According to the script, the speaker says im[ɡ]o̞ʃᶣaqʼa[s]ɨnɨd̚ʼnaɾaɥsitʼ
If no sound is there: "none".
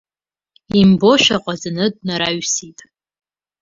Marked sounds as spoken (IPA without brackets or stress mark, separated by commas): b, z